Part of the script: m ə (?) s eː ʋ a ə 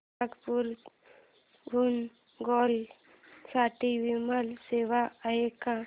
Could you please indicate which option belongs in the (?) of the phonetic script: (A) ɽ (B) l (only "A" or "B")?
B